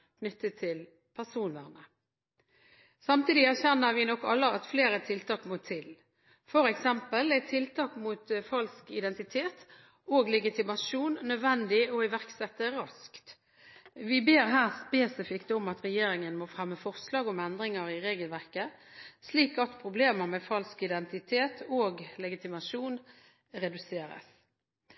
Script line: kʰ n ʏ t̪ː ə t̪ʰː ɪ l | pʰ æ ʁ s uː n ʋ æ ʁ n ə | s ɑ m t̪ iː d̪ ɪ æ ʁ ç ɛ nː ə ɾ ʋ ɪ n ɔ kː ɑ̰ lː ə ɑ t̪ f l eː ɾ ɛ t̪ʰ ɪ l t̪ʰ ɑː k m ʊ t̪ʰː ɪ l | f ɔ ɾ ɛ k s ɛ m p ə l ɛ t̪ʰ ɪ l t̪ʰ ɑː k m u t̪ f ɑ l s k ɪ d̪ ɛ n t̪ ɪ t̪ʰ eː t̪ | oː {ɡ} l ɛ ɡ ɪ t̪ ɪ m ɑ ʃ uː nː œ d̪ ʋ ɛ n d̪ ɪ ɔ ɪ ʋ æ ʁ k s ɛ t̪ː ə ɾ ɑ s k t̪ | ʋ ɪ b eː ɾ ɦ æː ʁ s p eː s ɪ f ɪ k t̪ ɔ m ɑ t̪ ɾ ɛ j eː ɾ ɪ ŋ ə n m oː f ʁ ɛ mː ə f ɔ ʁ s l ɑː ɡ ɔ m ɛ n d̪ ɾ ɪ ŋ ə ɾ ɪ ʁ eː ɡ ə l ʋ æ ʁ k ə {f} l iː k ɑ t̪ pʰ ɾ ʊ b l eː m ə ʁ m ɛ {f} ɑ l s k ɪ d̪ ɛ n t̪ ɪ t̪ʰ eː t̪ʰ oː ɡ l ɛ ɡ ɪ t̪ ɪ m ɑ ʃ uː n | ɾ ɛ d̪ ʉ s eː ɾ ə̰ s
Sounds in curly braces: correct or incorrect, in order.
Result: correct, incorrect, correct

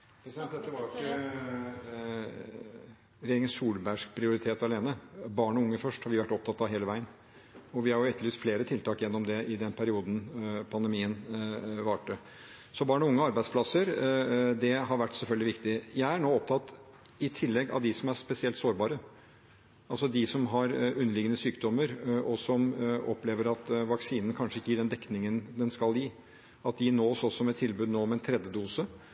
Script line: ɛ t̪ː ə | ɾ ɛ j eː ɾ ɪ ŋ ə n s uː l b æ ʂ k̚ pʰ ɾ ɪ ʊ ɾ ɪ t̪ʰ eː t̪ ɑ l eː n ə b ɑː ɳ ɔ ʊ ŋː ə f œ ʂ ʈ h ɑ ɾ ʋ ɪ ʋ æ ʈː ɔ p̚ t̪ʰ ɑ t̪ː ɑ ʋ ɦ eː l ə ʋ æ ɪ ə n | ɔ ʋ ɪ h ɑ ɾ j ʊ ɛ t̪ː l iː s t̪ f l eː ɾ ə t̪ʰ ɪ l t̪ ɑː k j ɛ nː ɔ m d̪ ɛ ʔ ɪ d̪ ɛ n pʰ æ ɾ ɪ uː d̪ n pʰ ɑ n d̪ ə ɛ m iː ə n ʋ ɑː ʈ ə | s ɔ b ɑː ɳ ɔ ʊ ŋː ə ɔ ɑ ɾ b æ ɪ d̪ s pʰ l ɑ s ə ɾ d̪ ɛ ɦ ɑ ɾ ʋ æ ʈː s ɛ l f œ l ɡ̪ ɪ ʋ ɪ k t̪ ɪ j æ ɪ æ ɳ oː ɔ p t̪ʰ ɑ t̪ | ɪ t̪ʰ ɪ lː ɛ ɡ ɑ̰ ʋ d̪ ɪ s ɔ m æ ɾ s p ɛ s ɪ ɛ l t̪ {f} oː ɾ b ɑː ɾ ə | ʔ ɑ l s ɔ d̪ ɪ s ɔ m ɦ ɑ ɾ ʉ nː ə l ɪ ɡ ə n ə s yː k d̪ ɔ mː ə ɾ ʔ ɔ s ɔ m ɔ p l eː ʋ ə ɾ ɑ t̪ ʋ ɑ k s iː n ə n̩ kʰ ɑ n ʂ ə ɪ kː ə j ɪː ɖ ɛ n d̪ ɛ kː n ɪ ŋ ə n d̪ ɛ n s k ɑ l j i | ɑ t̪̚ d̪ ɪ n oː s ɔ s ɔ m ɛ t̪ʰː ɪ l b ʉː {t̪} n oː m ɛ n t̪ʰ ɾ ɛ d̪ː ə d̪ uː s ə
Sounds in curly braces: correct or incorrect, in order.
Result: incorrect, incorrect

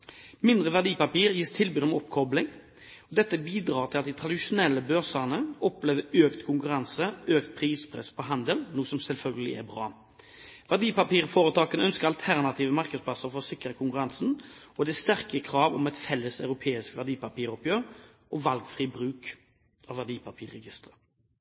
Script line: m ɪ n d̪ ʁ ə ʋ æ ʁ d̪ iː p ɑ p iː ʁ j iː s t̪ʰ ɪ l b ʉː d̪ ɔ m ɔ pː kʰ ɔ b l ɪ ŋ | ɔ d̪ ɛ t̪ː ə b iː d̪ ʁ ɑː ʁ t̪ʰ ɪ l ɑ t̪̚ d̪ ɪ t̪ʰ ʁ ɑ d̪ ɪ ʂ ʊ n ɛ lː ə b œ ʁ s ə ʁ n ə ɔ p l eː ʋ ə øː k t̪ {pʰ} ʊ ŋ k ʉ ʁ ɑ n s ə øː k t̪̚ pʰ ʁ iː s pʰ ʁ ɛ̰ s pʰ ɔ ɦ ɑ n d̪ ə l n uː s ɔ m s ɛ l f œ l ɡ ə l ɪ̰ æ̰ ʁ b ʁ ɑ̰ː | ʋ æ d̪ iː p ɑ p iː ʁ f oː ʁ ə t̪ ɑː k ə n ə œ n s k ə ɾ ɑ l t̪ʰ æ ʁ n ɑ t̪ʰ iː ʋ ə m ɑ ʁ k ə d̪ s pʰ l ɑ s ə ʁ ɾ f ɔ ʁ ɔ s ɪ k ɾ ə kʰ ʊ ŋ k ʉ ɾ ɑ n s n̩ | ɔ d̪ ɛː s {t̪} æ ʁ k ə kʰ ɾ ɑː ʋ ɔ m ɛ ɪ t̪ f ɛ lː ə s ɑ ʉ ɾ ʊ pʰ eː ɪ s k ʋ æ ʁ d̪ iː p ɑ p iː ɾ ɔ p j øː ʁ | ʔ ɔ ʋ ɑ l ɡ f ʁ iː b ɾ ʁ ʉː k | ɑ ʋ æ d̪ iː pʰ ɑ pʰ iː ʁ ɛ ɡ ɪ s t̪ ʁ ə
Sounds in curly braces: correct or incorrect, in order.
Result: incorrect, correct

